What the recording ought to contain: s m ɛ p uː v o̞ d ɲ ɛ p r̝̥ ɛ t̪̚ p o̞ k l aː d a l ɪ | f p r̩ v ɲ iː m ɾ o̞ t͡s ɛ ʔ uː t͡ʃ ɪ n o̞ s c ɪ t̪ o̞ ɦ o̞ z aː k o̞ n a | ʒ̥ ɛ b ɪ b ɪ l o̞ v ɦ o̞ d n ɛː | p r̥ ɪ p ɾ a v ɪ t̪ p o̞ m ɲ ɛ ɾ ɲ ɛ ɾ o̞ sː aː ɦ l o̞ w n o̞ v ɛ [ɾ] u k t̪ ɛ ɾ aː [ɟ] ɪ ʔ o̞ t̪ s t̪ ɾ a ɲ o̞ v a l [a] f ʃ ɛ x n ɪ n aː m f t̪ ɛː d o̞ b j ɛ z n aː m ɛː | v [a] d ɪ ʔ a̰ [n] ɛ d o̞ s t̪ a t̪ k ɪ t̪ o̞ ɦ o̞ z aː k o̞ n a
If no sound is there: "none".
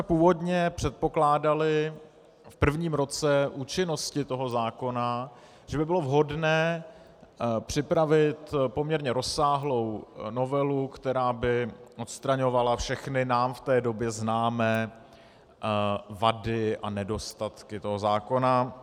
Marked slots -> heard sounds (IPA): l, b, a, a, n

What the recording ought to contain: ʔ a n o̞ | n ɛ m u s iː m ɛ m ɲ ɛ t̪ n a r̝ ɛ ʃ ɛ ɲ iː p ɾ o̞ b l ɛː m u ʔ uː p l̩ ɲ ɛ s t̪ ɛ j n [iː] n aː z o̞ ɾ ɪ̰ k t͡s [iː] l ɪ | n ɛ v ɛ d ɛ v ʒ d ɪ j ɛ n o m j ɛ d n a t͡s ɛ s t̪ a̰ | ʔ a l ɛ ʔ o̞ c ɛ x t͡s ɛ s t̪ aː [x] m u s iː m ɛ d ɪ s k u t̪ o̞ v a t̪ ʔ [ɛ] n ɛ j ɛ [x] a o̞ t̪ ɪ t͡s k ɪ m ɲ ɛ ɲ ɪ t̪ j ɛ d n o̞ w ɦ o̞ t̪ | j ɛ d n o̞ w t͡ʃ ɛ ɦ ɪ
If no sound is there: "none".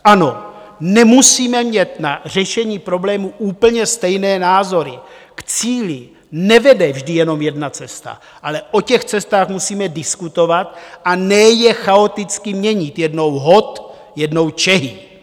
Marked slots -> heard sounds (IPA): ɛː, iː, x, a, x

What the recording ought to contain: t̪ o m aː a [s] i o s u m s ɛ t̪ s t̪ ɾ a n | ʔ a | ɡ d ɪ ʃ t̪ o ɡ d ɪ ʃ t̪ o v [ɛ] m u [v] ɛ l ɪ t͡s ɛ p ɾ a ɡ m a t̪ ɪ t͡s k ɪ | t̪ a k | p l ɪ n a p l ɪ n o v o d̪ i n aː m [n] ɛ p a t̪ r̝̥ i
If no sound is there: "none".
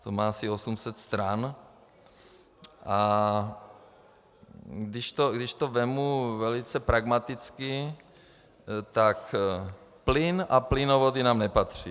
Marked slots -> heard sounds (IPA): s, ɛ, v, n

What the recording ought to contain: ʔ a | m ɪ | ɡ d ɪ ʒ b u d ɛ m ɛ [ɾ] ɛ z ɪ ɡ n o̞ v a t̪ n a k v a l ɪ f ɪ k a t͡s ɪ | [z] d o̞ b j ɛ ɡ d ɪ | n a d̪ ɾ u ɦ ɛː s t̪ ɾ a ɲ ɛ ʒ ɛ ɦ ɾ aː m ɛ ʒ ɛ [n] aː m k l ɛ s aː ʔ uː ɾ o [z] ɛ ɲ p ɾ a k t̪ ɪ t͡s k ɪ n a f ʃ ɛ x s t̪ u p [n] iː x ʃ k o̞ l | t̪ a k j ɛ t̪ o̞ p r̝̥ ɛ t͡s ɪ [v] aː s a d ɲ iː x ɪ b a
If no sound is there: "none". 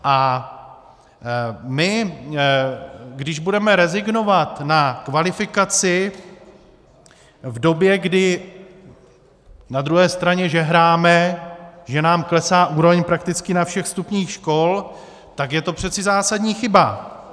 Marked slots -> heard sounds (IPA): ɾ, v, n, v, ɲ, z

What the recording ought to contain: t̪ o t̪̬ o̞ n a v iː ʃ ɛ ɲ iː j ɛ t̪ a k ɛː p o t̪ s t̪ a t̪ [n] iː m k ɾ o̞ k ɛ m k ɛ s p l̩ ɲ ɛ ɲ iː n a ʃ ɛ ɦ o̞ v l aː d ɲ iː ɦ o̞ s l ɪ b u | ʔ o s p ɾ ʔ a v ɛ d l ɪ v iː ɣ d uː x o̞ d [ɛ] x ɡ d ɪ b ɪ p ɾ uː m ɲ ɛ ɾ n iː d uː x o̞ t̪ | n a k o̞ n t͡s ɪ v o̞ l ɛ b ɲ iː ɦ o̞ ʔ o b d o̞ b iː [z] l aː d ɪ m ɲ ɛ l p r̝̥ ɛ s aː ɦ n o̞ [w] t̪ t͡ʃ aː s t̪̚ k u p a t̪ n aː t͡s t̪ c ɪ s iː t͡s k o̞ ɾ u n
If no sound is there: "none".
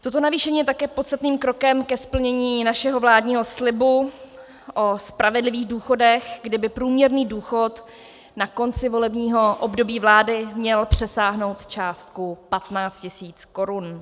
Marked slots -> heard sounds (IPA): n, ɛ, v, w

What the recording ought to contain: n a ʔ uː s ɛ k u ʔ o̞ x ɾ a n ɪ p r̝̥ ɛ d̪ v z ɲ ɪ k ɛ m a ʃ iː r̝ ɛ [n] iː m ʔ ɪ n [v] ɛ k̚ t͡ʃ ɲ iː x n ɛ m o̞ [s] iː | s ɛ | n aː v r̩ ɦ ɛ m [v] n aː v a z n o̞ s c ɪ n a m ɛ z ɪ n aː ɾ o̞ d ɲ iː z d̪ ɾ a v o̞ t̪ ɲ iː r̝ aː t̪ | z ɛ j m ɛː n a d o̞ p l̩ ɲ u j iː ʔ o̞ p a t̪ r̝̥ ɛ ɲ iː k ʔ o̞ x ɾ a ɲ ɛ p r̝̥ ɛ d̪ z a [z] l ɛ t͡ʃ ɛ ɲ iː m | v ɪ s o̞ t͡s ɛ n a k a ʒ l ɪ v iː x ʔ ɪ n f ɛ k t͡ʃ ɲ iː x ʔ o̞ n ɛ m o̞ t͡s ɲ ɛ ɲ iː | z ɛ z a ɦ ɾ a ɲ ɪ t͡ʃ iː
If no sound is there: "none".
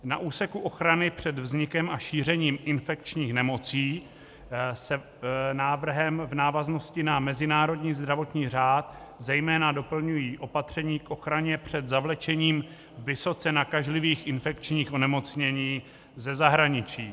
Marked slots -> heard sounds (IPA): ɲ, f, t͡s, v, v

